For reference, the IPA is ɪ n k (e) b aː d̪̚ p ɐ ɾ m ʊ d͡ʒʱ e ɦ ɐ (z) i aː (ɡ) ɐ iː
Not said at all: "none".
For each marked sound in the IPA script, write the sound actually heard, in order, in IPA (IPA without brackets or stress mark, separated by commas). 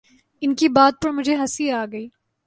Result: i, s, ɡ